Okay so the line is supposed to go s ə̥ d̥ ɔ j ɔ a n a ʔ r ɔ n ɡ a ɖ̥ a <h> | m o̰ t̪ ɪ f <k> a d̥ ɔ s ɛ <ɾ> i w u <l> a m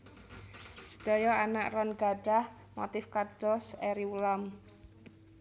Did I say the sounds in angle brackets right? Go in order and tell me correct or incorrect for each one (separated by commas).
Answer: correct, correct, correct, correct